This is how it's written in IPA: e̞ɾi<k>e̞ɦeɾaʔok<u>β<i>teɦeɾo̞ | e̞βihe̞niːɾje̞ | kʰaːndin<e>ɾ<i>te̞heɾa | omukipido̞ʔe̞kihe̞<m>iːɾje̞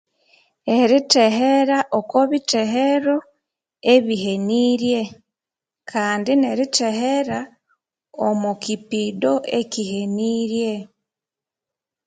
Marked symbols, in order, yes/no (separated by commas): no, no, yes, yes, yes, no